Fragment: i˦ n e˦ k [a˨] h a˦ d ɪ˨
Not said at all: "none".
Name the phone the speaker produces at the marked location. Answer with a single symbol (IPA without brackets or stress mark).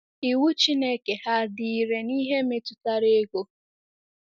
e˨